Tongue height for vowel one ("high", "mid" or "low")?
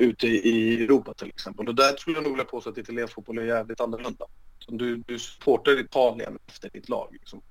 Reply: high